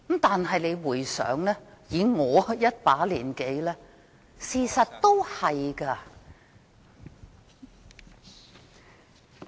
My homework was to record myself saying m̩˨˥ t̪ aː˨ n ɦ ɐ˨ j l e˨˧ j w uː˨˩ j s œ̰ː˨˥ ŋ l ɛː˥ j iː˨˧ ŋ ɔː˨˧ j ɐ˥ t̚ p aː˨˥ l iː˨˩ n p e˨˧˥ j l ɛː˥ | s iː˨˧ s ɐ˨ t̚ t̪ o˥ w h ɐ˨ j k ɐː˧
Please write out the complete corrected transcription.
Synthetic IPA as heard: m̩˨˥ t̪ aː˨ n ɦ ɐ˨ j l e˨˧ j w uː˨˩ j s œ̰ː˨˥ ŋ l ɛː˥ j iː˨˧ ŋ ɔː˨˧ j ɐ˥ t̚ p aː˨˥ l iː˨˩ n k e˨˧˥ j l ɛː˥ | s iː˨˧ s ɐ˨ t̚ t̪ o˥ w h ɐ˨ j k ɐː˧